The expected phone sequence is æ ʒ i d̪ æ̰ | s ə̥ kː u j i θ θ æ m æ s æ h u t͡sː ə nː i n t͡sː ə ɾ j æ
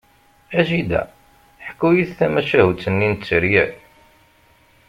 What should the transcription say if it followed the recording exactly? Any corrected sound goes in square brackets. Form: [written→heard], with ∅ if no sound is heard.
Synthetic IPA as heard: æ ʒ i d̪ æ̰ | [s→ħ] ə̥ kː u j i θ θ æ m æ [s→ʃ] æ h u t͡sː ə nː i n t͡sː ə ɾ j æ